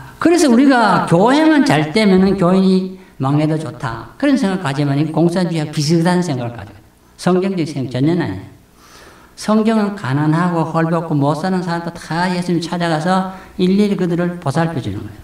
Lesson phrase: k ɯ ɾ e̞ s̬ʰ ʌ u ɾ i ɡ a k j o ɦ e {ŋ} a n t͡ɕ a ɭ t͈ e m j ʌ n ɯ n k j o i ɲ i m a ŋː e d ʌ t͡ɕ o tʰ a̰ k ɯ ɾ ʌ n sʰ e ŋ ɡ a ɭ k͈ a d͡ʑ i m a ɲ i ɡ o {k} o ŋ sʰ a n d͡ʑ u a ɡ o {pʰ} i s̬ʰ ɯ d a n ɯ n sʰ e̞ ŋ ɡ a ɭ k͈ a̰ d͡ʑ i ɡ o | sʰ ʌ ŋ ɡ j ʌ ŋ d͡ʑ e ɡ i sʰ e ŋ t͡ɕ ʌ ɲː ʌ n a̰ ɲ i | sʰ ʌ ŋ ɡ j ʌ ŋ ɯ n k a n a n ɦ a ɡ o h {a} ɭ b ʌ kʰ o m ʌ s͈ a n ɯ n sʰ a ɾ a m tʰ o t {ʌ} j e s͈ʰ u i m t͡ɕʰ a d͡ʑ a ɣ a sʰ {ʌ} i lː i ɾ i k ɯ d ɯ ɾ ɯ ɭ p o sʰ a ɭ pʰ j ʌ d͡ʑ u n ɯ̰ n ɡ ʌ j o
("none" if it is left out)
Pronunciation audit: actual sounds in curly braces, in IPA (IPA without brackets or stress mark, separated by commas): ŋ, k, p, ʌ, a, ʌ